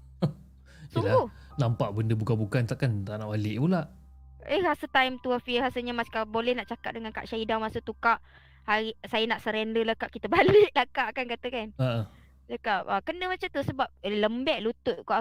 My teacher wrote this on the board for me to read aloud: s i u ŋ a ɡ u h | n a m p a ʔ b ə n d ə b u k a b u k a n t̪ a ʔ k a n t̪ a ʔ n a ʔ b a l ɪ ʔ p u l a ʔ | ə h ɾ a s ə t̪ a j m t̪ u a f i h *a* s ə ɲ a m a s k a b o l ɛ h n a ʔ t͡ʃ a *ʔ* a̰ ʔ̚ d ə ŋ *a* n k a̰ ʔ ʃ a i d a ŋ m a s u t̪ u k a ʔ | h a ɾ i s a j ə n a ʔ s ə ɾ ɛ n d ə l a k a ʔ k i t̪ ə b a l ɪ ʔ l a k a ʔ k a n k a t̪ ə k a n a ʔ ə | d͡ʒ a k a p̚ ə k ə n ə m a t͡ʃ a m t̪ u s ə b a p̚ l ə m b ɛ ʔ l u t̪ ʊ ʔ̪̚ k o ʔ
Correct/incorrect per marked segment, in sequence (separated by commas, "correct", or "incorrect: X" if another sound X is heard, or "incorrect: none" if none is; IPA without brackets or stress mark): correct, incorrect: k, correct